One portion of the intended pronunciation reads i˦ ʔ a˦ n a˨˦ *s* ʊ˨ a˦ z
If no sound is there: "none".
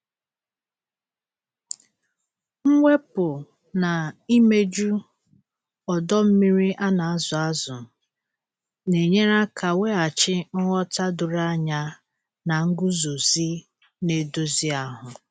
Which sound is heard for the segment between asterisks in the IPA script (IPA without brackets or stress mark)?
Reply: z